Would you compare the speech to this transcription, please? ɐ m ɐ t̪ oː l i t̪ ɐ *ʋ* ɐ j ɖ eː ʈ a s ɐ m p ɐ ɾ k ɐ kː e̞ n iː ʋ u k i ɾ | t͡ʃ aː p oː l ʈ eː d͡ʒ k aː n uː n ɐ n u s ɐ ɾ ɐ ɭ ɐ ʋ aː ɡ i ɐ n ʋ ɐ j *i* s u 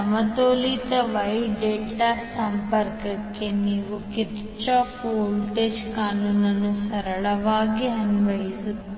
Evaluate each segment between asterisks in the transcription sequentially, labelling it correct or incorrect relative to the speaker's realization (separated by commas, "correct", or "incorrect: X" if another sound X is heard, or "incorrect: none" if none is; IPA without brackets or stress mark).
correct, correct